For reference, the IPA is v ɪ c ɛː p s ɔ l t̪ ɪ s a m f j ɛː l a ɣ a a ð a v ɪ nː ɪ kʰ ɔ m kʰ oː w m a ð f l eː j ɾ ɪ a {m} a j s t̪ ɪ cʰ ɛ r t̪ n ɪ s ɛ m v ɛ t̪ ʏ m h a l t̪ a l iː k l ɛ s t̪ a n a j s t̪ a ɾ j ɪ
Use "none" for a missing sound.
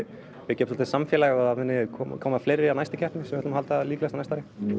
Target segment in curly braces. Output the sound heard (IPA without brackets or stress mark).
n